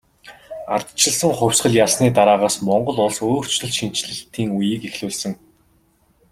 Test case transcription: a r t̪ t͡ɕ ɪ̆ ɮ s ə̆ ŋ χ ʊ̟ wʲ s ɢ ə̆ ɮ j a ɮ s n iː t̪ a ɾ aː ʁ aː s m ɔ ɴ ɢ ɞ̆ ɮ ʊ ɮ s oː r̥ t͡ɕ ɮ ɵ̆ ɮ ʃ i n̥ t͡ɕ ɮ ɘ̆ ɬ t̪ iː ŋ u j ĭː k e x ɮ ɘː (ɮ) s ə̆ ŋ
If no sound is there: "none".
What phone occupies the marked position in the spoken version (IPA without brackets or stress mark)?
ɮ